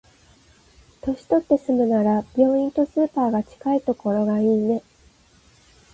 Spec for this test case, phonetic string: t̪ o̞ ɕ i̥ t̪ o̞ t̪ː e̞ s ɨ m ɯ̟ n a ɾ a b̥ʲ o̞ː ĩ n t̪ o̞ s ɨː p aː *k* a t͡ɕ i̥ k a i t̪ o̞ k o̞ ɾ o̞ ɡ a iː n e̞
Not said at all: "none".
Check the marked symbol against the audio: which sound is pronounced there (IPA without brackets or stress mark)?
ɡ